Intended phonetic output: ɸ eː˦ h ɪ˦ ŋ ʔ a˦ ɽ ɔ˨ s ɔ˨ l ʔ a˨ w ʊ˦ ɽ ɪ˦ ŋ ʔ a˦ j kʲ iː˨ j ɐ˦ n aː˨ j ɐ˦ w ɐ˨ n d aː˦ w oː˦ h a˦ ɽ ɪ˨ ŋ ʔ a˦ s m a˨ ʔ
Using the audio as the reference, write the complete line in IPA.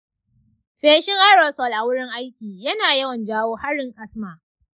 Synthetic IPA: ɸ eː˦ ʃ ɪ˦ ŋ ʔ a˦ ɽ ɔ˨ s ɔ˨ l ʔ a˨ w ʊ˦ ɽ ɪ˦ ŋ ʔ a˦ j kʲ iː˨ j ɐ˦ n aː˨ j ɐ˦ w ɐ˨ n d͡ʒ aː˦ w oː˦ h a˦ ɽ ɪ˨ ŋ ʔ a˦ s m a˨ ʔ